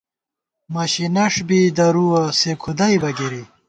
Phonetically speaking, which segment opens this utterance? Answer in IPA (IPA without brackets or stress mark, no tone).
m